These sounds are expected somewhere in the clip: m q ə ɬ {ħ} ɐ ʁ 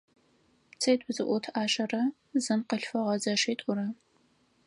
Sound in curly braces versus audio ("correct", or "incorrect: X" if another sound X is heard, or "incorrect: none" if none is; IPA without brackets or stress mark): incorrect: f